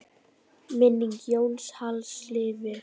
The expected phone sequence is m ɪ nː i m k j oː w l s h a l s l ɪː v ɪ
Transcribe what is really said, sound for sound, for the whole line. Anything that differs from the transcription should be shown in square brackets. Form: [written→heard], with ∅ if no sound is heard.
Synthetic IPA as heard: m ɪ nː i [m→ŋ] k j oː w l s h a l s l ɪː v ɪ